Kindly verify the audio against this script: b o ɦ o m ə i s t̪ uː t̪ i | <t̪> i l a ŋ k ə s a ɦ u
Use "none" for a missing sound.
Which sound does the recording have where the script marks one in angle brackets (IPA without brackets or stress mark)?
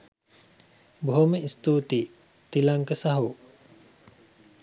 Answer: t̪